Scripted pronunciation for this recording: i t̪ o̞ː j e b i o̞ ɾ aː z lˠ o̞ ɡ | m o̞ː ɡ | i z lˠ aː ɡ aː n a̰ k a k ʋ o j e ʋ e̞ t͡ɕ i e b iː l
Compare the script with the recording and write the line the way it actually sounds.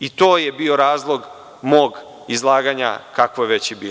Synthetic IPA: i t̪ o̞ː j e b i o̞ ɾ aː z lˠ o̞ ɡ | m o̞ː ɡ | i z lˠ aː ɡ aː ɲ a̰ k a k ʋ o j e ʋ e̞ t͡ɕ j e b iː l

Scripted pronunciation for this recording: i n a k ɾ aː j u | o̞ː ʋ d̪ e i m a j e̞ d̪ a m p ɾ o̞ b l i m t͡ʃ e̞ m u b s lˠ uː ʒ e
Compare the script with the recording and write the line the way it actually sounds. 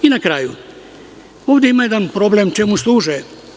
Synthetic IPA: i n a k ɾ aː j u | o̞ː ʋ d̪ e i m a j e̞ d̪ a n p ɾ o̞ b l e m t͡ʃ e̞ m u s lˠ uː ʒ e

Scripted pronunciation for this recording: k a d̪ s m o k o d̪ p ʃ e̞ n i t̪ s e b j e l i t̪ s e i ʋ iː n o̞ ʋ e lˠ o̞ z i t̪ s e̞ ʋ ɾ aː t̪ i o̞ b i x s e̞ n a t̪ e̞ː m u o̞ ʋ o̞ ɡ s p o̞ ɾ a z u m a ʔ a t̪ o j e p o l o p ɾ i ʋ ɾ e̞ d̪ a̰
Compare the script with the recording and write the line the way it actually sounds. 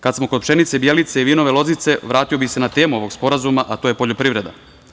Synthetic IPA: k a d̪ s m o k o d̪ p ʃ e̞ n i t̪ s e b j e l i t̪ s e i ʋ iː n o̞ ʋ e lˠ o̞ z i t̪ s e̞ ʋ ɾ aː t̪ i o̞ b i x s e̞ n a t̪ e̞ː m u o̞ ʋ o̞ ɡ s p o̞ ɾ a z u m a ʔ a t̪ o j e p o ʎ o p ɾ i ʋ ɾ e̞ d̪ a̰

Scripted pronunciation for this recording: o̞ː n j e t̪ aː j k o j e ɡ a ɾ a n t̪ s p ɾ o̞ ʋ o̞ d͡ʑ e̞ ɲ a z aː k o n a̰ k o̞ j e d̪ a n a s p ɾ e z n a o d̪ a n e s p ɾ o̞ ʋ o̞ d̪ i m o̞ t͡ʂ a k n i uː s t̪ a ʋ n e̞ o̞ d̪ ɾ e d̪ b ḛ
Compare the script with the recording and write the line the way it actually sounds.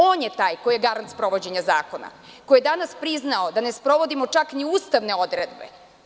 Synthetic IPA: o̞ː n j e t̪ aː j k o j e ɡ a ɾ a n t̪ s p ɾ o̞ ʋ o̞ d͡ʑ e̞ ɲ a z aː k o n a̰ k o̞ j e d̪ a n a s p ɾ i z n a o d̪ a n e s p ɾ o̞ ʋ o̞ d̪ i m o̞ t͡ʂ a k n i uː s t̪ a ʋ n e̞ o̞ d̪ ɾ e d̪ b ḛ

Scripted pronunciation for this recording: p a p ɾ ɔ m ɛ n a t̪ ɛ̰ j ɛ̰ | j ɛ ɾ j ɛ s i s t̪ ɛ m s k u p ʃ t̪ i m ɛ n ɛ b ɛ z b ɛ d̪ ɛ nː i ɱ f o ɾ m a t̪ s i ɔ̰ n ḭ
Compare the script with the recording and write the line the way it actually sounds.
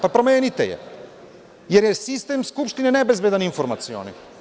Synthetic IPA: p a p ɾ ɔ m ɛ n i t̪ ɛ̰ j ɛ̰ | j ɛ ɾ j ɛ s i s t̪ ɛ m s k u p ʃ t̪ i n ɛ n ɛ b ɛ z b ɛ d̪ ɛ n i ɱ f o ɾ m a t̪ s i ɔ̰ n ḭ

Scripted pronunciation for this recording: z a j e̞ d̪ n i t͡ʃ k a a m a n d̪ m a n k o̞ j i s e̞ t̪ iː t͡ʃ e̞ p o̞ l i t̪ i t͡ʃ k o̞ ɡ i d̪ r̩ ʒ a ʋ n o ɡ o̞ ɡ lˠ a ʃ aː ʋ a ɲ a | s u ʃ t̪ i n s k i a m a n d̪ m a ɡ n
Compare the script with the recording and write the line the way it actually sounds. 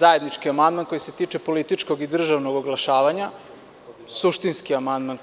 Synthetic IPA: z a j e̞ d̪ n i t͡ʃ k i a m a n d̪ m a n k o̞ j i s e̞ t̪ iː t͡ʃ e̞ p o̞ l i t̪ i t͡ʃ k o̞ ɡ i d̪ r̩ ʒ a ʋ n o ɡ o̞ ɡ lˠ a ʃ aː ʋ a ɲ a | s u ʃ t̪ i n s k i a m a n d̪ m a n

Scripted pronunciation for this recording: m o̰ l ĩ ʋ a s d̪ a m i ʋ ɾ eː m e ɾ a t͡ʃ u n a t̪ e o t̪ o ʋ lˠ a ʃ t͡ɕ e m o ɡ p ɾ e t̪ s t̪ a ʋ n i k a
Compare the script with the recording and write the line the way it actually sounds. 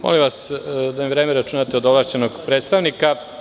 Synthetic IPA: m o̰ l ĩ ʋ a s d̪ a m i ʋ ɾ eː m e ɾ a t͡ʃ u n a t̪ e o d̪ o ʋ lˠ a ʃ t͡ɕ e n o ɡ p ɾ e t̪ s t̪ a ʋ n i k a

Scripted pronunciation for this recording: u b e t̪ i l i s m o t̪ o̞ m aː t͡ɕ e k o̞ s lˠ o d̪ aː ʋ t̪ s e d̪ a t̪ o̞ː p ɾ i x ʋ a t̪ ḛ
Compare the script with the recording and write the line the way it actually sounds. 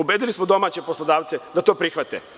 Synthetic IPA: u b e d̪ i l i s m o d̪ o̞ m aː t͡ɕ e p o̞ s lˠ o d̪ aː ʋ t̪ s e d̪ a t̪ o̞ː p ɾ i x ʋ a t̪ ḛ

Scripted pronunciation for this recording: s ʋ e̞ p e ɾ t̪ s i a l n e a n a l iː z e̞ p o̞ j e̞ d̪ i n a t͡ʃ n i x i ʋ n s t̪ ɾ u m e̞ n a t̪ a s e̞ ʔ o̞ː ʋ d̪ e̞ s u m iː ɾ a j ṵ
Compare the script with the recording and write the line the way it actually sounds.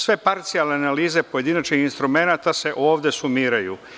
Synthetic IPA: s ʋ e̞ p a ɾ t̪ s i a l n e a n a l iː z e̞ p o̞ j e̞ d̪ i n a t͡ʃ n i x i n s t̪ ɾ u m e̞ n a t̪ a s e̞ ʔ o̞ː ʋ d̪ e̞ s u m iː ɾ a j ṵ

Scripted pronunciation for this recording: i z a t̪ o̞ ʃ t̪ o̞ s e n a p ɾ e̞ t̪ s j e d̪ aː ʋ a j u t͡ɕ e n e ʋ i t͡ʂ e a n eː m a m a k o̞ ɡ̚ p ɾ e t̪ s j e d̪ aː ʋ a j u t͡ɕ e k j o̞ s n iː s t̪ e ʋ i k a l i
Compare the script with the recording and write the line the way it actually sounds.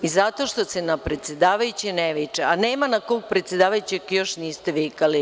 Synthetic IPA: i z a t̪ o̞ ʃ t̪ o̞ s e n a p ɾ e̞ t̪ s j e d̪ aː ʋ a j u t͡ɕ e n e ʋ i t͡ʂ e a n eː m a n a k o̞ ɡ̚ p ɾ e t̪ s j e d̪ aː ʋ a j u t͡ɕ e k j o̞ ʃ n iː s t̪ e ʋ i k a l i

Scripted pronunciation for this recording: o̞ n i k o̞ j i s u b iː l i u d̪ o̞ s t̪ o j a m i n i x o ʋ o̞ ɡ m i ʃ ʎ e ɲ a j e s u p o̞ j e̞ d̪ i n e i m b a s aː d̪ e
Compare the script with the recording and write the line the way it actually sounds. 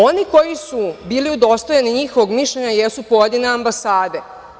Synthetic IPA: o̞ n i k o̞ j i s u b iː l i u d̪ o̞ s t̪ o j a n i ɲ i x o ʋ o̞ ɡ m i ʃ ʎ e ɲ a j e s u p o̞ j e̞ d̪ i n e a m b a s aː d̪ e

